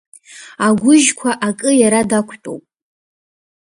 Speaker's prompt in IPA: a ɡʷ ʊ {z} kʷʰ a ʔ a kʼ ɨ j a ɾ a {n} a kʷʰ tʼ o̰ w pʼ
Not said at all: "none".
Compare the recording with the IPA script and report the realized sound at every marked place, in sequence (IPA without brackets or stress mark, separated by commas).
ʒ, d